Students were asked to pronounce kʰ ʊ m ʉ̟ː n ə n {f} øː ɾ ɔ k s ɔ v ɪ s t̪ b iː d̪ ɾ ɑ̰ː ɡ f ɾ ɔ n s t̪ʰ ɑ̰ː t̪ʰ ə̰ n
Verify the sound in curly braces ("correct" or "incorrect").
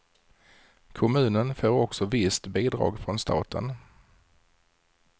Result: correct